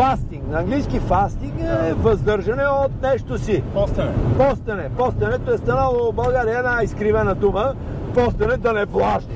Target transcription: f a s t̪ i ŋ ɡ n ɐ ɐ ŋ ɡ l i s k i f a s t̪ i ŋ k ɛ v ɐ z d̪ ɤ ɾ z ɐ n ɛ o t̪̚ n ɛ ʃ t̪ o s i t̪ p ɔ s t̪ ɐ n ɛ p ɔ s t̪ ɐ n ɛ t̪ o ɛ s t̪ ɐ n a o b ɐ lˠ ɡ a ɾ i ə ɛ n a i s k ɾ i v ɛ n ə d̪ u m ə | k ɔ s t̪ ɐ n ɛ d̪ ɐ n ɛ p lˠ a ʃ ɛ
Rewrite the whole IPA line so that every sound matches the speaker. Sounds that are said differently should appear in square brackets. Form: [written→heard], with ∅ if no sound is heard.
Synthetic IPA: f a s t̪ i ŋ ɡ n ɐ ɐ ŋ ɡ l i s k i f a s t̪ i ŋ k ɛ v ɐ z d̪ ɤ ɾ [z→ʒ] ɐ n ɛ o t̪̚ n ɛ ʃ t̪ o s i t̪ p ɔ s t̪ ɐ n ɛ p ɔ s t̪ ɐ n ɛ t̪ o ɛ s t̪ ɐ n a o b ɐ lˠ ɡ a ɾ i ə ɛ n a i s k ɾ i v ɛ n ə d̪ u m ə | [k→p] ɔ s t̪ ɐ n ɛ d̪ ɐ n ɛ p lˠ a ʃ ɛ